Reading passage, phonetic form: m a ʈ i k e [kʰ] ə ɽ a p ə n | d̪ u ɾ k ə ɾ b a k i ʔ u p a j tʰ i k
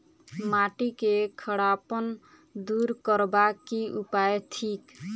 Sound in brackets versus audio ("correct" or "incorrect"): correct